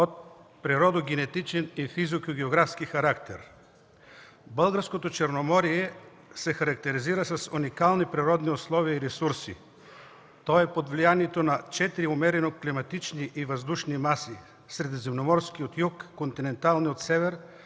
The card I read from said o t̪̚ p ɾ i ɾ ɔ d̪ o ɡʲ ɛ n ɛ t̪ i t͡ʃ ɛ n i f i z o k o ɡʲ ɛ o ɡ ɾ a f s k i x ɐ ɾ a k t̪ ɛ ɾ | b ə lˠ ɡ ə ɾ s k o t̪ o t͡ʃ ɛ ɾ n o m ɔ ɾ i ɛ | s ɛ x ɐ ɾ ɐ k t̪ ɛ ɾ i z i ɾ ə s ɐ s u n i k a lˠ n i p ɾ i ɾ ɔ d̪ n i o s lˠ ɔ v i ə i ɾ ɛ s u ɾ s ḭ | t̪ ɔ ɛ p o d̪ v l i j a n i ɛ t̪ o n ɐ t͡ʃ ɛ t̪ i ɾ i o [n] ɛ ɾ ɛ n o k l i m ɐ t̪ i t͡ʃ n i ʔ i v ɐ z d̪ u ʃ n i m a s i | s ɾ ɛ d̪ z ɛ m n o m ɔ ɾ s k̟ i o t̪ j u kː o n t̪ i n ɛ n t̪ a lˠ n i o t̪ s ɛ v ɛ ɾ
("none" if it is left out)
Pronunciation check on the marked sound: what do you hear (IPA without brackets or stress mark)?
m